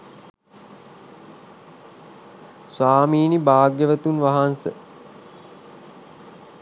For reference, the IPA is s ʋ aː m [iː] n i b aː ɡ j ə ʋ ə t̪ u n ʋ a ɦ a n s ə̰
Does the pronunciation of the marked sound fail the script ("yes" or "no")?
no